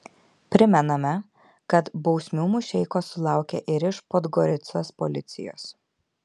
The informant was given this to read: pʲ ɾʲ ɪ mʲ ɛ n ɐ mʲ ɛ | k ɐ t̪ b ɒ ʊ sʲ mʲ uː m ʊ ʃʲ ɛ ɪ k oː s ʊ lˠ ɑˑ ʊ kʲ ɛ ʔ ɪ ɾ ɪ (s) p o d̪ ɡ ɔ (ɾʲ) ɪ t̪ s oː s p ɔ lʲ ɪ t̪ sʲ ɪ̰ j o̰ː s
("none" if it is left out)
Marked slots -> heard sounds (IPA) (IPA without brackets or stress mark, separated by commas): ʃ, ɾʲ